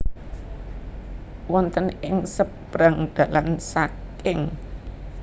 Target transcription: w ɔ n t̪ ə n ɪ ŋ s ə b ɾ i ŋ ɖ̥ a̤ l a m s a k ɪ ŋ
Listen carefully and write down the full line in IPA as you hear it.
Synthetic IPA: w ɔ n t̪ ə n ɪ ŋ s ə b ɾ a ŋ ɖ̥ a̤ l a n s a k ɪ ŋ